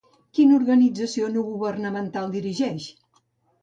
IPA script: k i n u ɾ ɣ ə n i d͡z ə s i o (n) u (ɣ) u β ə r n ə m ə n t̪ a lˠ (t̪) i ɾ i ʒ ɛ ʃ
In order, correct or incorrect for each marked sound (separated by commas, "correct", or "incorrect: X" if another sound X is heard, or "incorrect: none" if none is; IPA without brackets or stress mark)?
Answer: correct, correct, incorrect: d̪